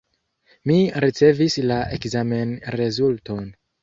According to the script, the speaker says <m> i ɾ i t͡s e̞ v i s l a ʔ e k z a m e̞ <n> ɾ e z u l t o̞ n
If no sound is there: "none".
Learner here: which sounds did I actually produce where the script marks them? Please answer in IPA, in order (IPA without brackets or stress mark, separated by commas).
m, n